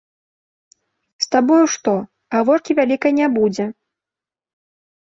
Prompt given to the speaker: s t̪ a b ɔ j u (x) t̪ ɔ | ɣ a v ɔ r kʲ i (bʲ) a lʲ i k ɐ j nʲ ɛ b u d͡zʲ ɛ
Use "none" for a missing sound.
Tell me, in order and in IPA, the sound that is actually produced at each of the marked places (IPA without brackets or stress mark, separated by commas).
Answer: ʂ, vʲ